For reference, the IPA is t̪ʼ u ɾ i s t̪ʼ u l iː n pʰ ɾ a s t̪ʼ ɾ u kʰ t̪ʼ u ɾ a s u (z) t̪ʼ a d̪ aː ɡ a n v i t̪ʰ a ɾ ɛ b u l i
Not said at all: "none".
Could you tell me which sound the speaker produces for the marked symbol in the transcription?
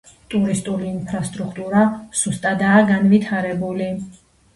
s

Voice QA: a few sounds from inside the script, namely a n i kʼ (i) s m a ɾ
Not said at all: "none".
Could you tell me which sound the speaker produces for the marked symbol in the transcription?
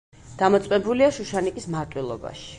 i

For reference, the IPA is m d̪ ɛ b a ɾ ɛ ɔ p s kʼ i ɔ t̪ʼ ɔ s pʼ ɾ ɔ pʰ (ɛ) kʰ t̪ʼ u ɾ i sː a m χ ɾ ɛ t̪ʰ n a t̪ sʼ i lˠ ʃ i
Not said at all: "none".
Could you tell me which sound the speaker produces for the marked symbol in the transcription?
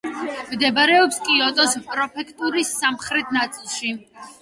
ɛ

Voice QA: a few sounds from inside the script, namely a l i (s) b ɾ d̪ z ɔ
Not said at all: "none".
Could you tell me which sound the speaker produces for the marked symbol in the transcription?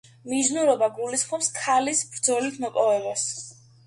s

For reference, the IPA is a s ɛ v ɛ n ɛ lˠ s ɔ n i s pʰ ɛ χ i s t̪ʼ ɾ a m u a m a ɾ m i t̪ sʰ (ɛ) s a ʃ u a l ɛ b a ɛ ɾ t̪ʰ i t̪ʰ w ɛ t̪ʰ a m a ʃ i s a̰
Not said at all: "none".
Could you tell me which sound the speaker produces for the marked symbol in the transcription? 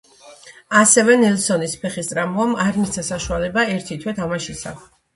a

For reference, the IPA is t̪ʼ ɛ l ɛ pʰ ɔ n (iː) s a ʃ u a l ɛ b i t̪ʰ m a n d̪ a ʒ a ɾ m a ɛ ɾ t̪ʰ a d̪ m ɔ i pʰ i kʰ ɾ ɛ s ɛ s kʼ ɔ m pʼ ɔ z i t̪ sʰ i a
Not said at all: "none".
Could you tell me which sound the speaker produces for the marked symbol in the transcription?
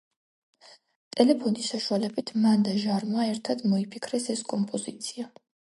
i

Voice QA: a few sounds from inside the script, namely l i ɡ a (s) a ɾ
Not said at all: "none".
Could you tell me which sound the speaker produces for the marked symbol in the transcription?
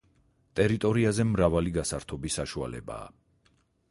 s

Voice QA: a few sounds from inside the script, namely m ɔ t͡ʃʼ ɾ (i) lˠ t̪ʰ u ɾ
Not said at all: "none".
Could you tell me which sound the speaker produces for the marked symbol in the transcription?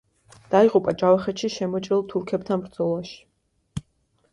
i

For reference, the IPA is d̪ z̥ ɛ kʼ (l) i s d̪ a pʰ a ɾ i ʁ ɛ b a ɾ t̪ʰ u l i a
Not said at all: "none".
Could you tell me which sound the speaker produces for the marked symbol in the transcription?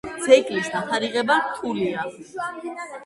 l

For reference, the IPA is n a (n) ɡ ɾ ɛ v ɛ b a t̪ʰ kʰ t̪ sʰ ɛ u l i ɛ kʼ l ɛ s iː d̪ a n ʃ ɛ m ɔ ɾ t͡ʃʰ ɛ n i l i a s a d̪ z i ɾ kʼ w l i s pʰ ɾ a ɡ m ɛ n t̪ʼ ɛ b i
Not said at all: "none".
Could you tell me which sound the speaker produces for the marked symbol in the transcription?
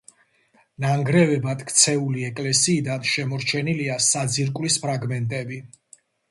ŋ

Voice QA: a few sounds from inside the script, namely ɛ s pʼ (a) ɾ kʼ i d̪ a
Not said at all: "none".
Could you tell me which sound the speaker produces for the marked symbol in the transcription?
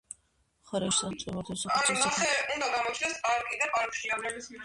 a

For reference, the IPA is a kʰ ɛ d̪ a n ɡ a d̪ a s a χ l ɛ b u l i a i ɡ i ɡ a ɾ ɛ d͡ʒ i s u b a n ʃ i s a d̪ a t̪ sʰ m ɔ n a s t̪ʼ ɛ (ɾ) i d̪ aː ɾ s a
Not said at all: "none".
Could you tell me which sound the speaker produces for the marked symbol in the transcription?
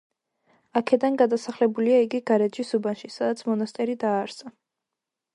ɾ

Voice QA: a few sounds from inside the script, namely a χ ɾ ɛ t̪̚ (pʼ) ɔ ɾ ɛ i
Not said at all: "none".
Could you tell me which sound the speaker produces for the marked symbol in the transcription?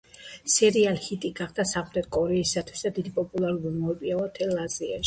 kʼ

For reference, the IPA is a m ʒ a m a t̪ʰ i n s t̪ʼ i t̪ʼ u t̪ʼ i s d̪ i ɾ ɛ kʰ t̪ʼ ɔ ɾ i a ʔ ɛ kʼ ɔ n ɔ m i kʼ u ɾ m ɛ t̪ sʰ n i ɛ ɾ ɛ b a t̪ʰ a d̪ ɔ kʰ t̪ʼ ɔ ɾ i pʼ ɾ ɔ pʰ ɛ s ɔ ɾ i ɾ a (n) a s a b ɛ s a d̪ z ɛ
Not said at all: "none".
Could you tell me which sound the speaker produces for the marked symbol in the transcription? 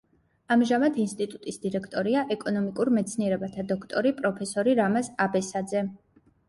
m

